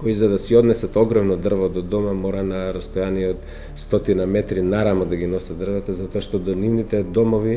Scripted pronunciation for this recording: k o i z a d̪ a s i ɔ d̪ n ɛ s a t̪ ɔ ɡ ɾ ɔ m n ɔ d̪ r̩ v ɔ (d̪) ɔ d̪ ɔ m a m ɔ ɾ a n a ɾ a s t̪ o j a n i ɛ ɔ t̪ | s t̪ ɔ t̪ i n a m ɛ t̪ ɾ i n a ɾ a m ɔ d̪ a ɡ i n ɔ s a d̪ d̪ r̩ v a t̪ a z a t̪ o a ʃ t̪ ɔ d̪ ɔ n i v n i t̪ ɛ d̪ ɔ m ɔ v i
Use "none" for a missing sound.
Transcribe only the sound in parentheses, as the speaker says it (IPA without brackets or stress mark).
d̪